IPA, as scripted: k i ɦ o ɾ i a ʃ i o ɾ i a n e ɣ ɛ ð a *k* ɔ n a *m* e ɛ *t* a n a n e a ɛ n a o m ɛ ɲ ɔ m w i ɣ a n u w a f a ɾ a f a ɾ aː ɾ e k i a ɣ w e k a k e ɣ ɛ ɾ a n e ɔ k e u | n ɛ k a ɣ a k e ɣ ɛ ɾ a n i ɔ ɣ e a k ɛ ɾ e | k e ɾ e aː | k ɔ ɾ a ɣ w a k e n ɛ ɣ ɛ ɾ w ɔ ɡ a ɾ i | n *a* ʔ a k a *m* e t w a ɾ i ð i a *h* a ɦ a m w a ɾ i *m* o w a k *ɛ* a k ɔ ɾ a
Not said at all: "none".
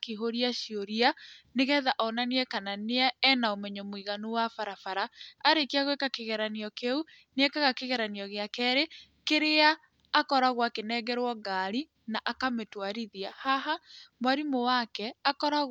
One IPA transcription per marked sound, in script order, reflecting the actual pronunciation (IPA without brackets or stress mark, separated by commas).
ʔ, n, k, a, m, h, m, ɛ